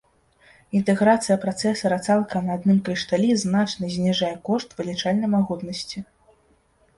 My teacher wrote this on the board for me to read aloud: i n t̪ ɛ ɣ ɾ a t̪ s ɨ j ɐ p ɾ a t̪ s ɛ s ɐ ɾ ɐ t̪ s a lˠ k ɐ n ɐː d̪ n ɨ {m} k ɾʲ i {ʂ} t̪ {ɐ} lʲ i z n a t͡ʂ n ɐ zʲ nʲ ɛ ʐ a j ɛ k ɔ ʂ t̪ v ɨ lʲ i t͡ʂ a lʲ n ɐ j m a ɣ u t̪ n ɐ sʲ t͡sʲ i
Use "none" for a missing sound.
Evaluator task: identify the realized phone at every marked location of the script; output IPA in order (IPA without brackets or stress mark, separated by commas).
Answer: m, ʂ, a